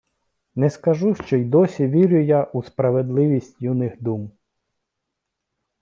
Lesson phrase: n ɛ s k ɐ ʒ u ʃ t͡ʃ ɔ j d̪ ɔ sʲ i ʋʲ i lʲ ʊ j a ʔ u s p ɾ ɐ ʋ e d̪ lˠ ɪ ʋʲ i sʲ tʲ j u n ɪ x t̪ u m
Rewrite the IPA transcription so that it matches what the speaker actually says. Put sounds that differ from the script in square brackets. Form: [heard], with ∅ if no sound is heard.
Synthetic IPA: n ɛ s k ɐ ʒ u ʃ t͡ʃ ɔ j d̪ ɔ sʲ i ʋʲ i [ɾʲ] ʊ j a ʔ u s p ɾ ɐ ʋ e d̪ lˠ ɪ ʋʲ i sʲ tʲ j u n ɪ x [d̪] u m